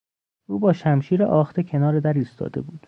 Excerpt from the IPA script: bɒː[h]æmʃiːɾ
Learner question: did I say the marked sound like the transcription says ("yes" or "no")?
no